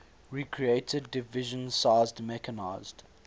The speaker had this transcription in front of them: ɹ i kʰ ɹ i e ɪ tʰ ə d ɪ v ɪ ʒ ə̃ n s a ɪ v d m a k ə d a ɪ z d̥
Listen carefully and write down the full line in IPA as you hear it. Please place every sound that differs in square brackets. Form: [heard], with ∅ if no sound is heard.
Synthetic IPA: ɹ i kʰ ɹ i e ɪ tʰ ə d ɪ v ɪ ʒ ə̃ n s a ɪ [z] d m [ɛ] k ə [n] a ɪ z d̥